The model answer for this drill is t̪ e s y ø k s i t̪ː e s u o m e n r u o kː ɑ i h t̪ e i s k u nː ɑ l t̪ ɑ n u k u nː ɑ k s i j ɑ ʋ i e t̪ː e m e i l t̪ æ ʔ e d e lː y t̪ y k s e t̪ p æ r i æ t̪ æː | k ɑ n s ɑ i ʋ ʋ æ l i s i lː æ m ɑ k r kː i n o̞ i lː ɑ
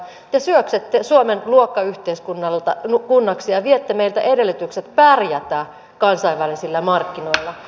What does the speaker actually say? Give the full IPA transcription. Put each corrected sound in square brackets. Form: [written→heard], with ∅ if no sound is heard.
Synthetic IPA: t̪ e s y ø k s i t̪ː e s u o m e n [r→l] u o kː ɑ [i→y] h t̪ e i s k u nː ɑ l t̪ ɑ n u k u nː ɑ k s i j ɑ ʋ i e t̪ː e m e i l t̪ æ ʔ e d e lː y t̪ y k s e t̪ p æ r [i→j] æ t̪ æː | k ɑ n s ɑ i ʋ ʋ æ l i s i lː æ m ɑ [k→∅] r kː i n o̞ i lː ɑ